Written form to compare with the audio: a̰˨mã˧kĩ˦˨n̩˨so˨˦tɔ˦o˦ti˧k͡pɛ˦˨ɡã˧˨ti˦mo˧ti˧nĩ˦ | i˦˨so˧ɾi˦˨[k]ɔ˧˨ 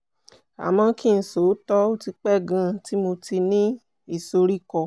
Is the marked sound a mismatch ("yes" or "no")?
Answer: no